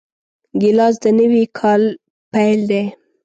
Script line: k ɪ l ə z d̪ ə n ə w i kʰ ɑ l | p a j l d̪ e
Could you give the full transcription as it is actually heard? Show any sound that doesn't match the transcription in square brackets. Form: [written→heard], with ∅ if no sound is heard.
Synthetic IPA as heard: [k→ɡ] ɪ l [ə→ɑ] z d̪ ə n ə w i kʰ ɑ l | p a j l d̪ e